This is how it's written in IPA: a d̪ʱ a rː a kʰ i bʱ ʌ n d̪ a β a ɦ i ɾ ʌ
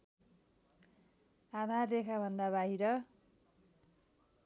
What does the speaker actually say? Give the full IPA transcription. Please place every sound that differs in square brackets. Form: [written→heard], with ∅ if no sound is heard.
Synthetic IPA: a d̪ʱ a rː [a→e] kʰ [i→a] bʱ ʌ n d̪ a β a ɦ i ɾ ʌ